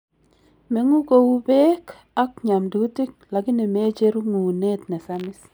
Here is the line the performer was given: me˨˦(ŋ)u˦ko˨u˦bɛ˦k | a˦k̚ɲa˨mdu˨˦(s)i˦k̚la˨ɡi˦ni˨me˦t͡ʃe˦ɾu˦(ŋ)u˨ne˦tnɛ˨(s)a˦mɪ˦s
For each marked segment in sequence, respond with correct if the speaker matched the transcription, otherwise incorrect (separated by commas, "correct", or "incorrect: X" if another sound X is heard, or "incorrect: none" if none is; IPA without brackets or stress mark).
correct, incorrect: t, correct, correct